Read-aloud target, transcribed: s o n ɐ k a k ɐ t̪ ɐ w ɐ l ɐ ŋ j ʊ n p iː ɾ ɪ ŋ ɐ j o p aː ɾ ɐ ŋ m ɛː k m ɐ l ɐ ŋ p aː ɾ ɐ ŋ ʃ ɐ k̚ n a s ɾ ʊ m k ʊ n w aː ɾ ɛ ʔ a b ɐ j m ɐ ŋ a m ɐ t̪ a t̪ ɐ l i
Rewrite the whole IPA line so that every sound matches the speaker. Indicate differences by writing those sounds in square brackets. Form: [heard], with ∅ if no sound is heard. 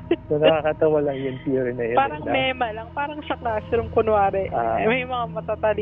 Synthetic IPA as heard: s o n ɐ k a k ɐ t̪ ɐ w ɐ l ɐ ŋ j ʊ n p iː ɾ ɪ [n] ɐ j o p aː ɾ ɐ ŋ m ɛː [∅] m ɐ l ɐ ŋ p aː ɾ ɐ ŋ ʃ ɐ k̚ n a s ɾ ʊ m k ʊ n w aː ɾ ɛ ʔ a [m] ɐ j m ɐ ŋ a m ɐ t̪ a t̪ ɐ l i